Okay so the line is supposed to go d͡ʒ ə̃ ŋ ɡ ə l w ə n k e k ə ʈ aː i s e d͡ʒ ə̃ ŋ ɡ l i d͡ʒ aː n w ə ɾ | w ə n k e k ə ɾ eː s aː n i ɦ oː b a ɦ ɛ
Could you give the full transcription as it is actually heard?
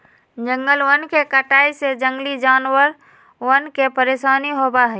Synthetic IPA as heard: d͡ʒ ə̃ ŋ ɡ ə l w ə n k e k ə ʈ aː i s e d͡ʒ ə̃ ŋ ɡ l i d͡ʒ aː n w ə ɾ | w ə n k e p ə ɾ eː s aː n i ɦ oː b a ɦ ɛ